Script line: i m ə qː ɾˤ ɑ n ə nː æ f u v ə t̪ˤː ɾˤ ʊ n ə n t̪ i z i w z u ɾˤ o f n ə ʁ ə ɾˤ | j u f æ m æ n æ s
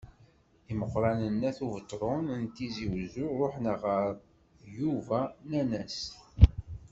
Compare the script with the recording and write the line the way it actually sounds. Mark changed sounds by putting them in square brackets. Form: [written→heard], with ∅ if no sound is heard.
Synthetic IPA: i m ə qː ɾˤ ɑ n ə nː æ [f→θ] u v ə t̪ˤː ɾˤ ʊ n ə n t̪ i z i w z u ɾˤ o [f→ħ] n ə ʁ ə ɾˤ | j u [f→v] æ [m→n] æ n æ s